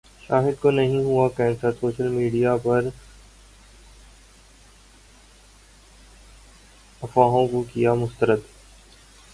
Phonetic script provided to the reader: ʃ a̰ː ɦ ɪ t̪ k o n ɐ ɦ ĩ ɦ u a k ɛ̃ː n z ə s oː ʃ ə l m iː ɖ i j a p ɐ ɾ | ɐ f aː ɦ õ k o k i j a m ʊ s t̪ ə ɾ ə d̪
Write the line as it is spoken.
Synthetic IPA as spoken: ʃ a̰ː ɦ ɪ d̪ k o n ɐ ɦ ĩ ɦ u a k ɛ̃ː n s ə s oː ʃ ə l m iː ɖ i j a p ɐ ɾ | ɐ f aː ɦ õ k o k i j a m ʊ s t̪ ə ɾ ə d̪